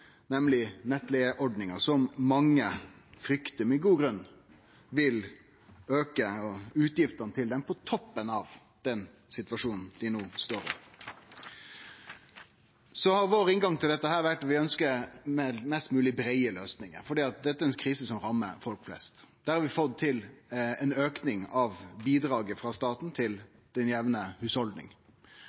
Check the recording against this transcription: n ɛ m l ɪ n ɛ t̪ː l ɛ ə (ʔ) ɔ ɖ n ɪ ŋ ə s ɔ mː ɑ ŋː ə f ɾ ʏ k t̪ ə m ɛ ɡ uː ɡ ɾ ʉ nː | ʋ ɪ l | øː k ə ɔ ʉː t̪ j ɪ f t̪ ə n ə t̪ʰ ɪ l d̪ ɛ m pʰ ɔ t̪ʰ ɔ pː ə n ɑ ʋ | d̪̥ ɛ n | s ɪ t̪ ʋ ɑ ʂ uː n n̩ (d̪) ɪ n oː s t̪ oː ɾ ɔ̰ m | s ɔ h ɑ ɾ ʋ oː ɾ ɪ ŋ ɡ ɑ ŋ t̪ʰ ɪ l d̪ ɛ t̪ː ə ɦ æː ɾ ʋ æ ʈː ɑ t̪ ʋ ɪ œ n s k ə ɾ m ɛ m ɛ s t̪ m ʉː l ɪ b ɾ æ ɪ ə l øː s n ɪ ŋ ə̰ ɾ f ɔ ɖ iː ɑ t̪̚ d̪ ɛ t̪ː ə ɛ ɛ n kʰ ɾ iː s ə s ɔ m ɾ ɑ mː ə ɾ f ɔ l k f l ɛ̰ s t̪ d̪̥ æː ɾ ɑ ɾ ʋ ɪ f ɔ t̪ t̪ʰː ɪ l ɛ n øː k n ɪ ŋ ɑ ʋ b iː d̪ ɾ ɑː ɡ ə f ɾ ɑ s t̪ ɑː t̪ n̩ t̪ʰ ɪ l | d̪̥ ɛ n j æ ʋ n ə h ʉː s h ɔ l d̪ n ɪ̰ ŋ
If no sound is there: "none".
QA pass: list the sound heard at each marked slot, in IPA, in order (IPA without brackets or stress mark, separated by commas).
ʔ, d̪